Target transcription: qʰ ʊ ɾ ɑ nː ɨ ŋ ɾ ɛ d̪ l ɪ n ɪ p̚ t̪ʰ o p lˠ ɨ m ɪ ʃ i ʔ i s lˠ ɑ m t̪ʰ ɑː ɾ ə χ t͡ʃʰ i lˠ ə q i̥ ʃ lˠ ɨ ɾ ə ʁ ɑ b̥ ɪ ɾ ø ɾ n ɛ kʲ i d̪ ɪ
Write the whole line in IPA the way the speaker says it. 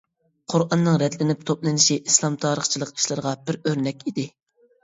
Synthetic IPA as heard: qʰ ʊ ɾ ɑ nː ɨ ŋ ɾ ɛ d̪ l ɪ n ɪ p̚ t̪ʰ o p lˠ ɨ n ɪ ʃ i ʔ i s lˠ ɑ m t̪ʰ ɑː ɾ ə χ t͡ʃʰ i lˠ ə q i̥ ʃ lˠ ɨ ɾ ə ʁ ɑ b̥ ɪ ɾ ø ɾ n ɛ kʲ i d̪ ɪ

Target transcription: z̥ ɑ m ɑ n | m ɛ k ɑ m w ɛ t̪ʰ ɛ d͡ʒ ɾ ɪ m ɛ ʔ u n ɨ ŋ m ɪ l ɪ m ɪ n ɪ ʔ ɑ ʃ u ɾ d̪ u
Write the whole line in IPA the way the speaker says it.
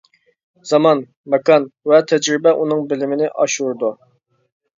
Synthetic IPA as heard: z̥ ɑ m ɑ n | m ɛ k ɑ n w ɛ t̪ʰ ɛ d͡ʒ ɾ ɪ b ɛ ʔ u n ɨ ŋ b ɪ l ɪ m ɪ n ɪ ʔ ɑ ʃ u ɾ d̪ u

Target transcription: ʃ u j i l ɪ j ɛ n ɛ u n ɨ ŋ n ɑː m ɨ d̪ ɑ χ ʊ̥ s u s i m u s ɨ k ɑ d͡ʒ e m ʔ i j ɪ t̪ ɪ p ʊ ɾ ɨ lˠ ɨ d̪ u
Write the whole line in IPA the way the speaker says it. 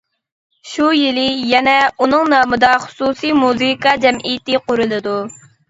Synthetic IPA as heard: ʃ u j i l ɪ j ɛ n ɛ u n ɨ ŋ n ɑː m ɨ d̪ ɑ χ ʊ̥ s u s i m u z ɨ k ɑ d͡ʒ ɛ m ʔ i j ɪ t̪ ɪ q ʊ ɾ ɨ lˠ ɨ d̪ u

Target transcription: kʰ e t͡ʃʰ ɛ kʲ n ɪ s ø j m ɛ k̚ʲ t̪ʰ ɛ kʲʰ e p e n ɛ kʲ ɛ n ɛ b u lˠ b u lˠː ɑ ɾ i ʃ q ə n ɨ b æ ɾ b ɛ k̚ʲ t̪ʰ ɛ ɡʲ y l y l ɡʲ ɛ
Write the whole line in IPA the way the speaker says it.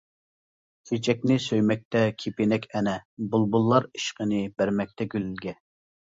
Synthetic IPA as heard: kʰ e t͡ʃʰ ɛ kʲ n ɪ s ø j m ɛ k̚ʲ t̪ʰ ɛ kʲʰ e p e n ɛ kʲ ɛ n ɛ b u lˠ b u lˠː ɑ ɾ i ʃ q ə n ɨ b æ ɾ m ɛ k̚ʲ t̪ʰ ɛ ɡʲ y l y l ɡʲ ɛ

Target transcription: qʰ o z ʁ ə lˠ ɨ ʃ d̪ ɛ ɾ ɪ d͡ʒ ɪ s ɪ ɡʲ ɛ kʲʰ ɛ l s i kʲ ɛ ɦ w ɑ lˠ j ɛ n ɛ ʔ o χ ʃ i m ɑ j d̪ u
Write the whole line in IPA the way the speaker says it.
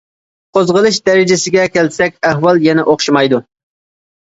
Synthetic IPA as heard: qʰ o z ʁ ə lˠ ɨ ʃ d̪ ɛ ɾ ɪ d͡ʒ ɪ s ɪ ɡʲ ɛ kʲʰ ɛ l s ɛ kʲ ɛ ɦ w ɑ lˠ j ɛ n ɛ ʔ o χ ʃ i m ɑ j d̪ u

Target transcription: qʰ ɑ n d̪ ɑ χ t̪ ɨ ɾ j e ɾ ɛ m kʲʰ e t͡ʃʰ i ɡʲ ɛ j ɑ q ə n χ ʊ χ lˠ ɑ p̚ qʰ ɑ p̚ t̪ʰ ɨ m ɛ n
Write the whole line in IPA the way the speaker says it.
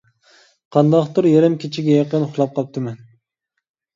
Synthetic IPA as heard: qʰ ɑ n d̪ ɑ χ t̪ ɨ ɾ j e ɾ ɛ m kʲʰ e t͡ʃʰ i ɡʲ ɛ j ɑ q ə n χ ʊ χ lˠ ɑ p̚ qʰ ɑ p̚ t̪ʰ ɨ m ɛ n

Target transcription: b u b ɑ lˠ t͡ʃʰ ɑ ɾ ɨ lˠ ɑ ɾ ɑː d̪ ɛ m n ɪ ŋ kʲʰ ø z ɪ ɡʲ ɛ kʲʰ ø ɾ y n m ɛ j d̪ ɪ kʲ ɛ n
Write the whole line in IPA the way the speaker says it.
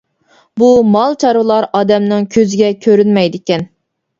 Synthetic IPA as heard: b u m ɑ lˠ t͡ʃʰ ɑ ɾ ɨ lˠ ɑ ɾ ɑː d̪ ɛ m n ɪ ŋ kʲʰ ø z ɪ ɡʲ ɛ kʲʰ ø ɾ y n m ɛ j d̪ ɪ kʲ ɛ n

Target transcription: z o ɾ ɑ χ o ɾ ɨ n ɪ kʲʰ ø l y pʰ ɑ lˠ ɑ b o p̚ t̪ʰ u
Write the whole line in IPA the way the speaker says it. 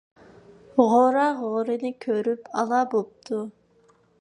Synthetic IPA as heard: ʁ o ɾ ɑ ʁ o ɾ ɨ n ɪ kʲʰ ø ɾ y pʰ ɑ lˠ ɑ b o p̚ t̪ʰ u

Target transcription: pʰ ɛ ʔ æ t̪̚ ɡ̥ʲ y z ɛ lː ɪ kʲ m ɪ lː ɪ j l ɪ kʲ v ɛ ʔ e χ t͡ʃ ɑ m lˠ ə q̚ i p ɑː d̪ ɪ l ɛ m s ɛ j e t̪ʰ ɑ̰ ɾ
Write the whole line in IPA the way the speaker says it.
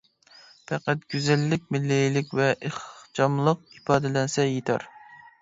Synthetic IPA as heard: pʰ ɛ q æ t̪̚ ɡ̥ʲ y z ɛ lː ɪ kʲ m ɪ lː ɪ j l ɪ kʲ v ɛ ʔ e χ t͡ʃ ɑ m lˠ ə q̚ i p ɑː d̪ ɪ l ɛ n s ɛ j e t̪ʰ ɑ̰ ɾ

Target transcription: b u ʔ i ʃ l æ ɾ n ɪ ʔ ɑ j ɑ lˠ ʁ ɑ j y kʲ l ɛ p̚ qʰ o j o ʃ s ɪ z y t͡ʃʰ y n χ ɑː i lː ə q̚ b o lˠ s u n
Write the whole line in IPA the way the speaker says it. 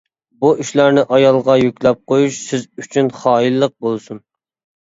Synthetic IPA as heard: b u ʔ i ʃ l æ ɾ n ɪ ʔ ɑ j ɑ lˠ ʁ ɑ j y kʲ l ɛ p̚ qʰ o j u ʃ s ɪ z y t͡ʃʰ y n χ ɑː i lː ə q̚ b o lˠ s u n

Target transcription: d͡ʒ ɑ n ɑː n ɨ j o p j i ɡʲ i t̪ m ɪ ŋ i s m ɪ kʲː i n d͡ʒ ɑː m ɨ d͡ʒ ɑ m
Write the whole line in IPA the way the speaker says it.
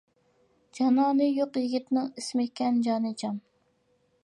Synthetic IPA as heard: d͡ʒ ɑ n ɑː n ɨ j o q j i ɡʲ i t̪ n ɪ ŋ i s m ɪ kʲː ɛ n d͡ʒ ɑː n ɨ d͡ʒ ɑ m

